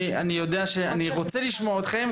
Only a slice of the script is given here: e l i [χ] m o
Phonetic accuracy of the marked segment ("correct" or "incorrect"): incorrect